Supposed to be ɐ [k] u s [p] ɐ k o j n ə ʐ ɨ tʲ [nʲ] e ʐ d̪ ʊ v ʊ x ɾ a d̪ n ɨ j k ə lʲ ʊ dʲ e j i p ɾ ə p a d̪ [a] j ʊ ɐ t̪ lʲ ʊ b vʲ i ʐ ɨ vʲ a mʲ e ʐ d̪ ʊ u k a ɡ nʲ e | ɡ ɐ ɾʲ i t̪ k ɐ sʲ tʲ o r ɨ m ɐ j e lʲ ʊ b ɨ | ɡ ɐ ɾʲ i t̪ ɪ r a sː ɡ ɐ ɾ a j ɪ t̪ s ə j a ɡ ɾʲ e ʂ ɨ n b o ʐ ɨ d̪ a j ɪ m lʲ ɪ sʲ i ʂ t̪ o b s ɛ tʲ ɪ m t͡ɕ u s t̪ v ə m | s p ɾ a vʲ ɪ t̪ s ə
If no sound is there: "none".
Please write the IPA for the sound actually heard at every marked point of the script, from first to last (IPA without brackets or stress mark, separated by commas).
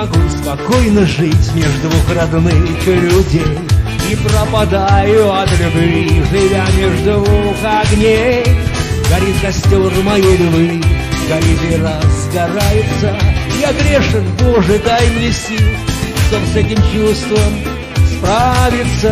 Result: ɡ, p, mʲ, a